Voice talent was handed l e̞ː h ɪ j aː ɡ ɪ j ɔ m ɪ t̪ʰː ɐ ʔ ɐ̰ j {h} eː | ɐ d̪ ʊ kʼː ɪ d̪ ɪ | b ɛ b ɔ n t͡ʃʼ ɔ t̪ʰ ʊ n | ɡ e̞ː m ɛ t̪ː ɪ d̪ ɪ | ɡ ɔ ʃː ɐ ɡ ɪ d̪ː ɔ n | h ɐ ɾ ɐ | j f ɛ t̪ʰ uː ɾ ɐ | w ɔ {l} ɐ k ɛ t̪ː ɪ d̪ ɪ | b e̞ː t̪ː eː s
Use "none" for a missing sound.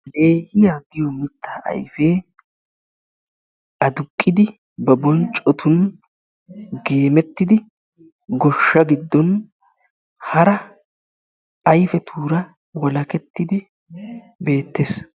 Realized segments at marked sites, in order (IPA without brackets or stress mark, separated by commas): f, l